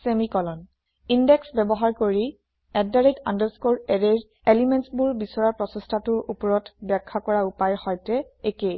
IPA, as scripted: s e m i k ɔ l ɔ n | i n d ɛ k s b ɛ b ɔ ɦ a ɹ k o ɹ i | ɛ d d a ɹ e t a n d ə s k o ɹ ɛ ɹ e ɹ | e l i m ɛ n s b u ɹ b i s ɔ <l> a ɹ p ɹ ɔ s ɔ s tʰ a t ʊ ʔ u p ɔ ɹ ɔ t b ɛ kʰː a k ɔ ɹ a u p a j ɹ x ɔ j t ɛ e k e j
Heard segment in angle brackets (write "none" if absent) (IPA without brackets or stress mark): ɹ